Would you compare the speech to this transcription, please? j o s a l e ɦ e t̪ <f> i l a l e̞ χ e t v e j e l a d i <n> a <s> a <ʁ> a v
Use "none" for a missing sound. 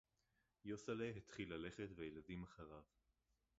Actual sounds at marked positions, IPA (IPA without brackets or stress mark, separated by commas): χ, m, χ, ʁ